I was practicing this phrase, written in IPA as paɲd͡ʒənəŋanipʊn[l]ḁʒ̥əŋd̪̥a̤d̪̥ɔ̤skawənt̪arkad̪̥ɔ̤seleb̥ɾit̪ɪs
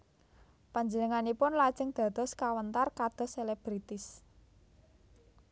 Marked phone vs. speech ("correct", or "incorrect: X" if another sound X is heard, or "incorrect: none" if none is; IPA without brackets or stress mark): correct